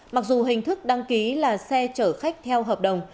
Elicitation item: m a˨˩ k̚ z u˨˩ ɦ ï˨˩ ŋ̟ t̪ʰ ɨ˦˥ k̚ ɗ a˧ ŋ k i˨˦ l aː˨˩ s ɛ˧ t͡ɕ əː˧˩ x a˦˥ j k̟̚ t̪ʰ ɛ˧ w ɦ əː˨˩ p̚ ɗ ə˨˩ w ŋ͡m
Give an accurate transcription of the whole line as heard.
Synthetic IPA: m a˨˩ k̚ z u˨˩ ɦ ï˨˩ ŋ̟ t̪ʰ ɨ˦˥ k̚ ɗ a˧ ŋ k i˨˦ l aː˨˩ s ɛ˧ t͡ɕ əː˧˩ x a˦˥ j k̟̚ t̪ʰ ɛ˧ w ɦ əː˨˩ p̚ ɗ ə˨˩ w ŋ͡m

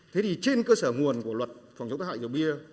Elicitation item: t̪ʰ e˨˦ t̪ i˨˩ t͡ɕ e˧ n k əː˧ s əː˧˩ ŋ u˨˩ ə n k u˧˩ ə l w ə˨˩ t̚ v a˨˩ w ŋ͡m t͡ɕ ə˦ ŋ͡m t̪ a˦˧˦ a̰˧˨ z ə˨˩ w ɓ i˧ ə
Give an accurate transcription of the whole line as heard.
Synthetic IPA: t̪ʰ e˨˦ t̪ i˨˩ t͡ɕ e˧ n k əː˧ s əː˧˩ ŋ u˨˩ ə n k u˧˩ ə l w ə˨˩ t̚ f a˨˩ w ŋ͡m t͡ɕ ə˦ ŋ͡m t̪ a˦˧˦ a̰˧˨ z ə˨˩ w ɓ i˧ ə

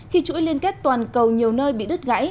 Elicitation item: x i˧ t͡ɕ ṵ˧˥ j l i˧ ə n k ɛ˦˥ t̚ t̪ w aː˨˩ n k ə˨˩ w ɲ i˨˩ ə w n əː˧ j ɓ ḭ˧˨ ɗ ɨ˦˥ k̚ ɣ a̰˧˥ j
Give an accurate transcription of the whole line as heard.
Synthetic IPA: x i˧ t͡ɕ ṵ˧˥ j l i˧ ə n k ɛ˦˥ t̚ t̪ w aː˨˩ n k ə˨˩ w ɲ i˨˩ ə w n əː˧ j ɓ ḭ˧˨ ɗ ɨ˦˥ t̚ ɣ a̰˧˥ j

